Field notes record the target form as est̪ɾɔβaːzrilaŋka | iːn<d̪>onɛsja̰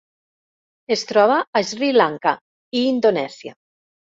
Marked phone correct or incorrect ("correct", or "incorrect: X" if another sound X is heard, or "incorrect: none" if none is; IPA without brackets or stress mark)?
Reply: correct